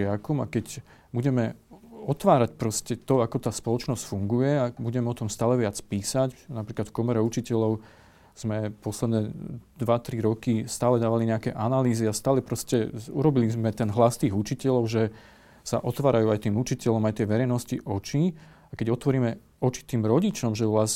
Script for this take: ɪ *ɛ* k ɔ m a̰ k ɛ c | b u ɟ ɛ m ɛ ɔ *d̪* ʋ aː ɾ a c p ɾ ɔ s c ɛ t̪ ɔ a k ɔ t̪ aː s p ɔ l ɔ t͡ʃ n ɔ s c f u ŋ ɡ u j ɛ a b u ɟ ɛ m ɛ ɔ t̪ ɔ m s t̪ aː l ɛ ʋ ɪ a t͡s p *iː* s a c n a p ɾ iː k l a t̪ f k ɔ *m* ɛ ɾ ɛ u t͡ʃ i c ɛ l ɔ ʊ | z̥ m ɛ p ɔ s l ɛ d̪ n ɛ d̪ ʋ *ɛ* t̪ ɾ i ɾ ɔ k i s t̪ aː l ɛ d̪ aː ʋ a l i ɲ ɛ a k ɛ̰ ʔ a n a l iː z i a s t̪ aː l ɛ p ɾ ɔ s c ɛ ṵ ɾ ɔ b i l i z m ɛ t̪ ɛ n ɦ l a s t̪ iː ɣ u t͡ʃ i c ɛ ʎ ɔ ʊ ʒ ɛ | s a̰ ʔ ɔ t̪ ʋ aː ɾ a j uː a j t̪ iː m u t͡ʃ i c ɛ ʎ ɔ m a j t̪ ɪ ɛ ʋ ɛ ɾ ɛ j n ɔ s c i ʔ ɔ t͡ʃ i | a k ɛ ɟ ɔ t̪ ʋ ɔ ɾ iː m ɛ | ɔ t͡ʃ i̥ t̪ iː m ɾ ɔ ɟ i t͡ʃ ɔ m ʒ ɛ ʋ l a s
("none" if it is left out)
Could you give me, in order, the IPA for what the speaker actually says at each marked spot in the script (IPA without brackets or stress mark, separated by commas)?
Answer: a, t̪, iː, m, a